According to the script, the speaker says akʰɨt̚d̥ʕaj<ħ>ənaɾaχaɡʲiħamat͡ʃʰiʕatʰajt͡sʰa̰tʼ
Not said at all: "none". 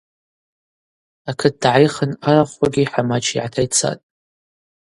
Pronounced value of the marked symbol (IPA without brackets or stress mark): χ